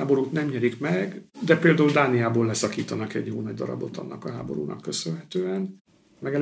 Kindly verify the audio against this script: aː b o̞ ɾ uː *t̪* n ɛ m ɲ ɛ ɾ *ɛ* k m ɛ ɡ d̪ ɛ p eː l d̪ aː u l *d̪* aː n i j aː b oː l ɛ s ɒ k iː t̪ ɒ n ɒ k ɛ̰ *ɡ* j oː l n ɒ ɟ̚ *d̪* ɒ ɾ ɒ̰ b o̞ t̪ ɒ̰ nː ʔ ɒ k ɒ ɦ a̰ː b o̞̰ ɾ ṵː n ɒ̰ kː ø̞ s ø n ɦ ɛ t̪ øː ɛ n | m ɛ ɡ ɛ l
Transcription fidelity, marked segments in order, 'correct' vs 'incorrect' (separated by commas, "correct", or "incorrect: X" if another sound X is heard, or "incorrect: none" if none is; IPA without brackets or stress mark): correct, incorrect: i, correct, incorrect: ɟ, correct